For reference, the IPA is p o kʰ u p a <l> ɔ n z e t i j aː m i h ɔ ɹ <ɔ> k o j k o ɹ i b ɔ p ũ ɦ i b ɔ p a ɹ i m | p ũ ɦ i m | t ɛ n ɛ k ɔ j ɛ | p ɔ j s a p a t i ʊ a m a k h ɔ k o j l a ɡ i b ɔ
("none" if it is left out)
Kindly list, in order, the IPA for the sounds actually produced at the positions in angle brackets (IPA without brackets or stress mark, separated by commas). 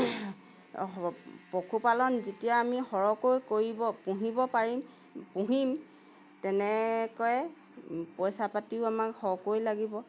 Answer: l, ɔ